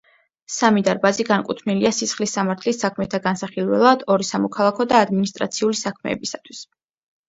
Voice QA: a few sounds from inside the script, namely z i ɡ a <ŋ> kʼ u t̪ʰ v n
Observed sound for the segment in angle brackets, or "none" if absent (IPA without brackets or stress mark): n